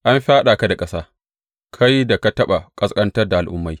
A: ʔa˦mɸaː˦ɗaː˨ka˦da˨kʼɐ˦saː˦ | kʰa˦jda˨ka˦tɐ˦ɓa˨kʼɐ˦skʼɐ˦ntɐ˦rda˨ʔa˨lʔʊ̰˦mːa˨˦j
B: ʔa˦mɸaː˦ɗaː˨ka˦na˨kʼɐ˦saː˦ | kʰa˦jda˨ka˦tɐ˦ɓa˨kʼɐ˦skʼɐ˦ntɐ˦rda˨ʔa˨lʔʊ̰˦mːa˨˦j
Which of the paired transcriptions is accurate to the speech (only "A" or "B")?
A